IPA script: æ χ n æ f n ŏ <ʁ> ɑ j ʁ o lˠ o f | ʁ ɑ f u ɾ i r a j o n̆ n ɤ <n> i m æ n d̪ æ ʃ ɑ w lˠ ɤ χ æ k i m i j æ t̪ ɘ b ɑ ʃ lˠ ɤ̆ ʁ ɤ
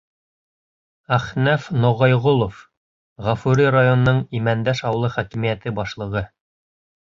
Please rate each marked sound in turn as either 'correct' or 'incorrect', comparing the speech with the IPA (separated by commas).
correct, incorrect